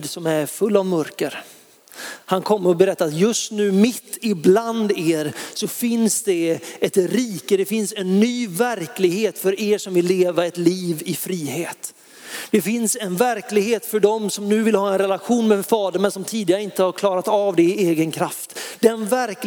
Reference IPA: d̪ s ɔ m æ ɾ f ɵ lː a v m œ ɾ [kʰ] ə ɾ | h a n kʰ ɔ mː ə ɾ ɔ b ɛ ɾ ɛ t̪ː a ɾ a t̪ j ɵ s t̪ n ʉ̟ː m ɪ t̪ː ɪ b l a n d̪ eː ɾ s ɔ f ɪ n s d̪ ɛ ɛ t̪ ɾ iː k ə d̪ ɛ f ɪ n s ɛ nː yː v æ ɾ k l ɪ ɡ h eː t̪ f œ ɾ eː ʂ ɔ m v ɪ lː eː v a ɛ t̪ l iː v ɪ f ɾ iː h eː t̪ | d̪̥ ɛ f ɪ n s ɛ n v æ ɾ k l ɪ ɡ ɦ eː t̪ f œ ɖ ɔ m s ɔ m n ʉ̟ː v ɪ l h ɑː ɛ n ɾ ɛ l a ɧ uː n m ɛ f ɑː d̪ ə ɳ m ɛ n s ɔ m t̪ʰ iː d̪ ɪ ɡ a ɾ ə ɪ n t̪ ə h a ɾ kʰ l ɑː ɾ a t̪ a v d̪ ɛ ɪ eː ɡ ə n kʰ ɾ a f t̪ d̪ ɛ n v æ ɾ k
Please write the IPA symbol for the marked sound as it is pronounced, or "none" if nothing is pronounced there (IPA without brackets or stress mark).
k